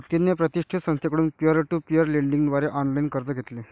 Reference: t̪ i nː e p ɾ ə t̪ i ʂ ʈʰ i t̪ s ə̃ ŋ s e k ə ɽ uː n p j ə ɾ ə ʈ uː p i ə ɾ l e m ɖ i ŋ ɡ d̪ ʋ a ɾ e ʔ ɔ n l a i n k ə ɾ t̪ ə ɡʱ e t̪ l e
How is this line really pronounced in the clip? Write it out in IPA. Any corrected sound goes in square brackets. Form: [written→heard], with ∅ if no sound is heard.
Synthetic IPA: t̪ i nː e p ɾ ə t̪ i ʂ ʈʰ i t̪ s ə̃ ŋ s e k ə ɽ uː n p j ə ɾ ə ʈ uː p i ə ɾ l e [m→ɳ] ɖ i ŋ ɡ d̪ ʋ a ɾ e ʔ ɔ n l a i n k ə ɾ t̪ ə ɡʱ e t̪ l e